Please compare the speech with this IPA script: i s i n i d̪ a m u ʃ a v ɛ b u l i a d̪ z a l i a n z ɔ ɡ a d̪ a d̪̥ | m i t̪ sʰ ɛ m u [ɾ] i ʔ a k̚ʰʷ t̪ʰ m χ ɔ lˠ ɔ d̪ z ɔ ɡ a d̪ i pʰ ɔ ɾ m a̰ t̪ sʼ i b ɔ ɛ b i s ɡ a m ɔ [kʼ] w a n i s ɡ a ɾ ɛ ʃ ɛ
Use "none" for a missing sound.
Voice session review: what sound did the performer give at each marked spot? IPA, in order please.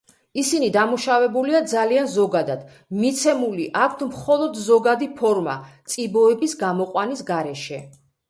l, qʼ

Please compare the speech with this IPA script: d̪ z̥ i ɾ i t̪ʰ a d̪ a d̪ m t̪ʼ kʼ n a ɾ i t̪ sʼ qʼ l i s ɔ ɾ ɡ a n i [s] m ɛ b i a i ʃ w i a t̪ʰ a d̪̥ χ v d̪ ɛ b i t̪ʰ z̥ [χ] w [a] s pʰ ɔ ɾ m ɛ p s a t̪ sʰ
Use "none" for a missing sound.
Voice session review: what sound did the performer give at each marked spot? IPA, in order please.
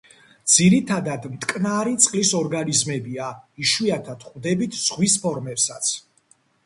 z, ʁ, i

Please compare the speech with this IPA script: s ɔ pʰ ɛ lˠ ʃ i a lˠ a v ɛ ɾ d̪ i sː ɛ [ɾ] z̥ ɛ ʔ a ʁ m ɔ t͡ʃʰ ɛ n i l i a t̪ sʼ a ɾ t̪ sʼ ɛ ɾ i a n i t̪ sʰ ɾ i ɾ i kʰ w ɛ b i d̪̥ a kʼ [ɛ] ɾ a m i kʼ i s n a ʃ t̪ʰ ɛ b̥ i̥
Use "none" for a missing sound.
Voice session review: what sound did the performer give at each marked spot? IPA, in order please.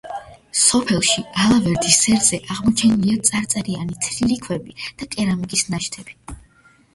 ɾ, ɛ

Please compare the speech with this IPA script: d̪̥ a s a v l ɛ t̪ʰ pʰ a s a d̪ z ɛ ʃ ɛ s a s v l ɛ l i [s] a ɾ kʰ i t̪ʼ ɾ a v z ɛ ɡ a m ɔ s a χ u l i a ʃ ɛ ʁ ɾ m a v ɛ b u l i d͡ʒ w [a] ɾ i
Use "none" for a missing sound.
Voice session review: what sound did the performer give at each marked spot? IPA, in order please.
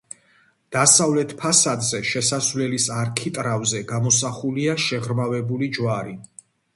s, a

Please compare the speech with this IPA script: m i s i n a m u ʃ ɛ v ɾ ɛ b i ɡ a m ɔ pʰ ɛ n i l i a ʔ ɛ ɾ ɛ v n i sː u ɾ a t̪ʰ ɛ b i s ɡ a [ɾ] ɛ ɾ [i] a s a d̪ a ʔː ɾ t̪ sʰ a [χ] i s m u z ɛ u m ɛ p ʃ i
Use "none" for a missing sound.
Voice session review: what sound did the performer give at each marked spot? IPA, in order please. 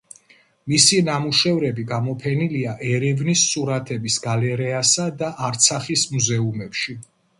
l, ɛ, χ

